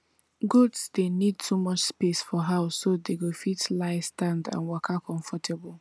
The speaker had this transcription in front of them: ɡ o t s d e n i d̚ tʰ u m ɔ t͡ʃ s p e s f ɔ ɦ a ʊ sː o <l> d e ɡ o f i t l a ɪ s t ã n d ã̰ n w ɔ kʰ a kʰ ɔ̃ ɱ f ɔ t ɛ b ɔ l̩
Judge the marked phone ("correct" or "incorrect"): incorrect